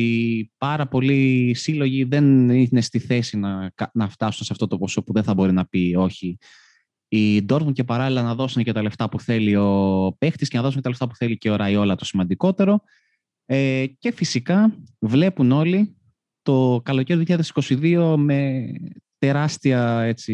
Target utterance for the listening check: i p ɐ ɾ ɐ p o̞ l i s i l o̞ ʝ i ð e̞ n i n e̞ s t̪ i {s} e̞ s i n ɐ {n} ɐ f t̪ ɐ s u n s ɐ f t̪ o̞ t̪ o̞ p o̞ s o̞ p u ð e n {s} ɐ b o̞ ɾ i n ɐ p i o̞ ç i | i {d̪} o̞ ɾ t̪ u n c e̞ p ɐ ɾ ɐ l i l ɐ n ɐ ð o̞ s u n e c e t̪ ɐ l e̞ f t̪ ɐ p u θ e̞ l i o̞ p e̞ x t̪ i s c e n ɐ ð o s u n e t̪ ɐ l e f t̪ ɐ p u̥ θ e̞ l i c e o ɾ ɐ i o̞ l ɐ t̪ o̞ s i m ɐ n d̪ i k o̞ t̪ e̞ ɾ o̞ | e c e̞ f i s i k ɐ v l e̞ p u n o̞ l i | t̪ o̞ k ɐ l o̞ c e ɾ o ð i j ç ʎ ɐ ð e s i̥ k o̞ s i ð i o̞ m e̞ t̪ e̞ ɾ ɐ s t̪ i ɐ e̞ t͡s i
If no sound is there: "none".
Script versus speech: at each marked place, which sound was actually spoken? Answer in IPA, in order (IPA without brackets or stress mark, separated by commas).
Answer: θ, n, θ, d̪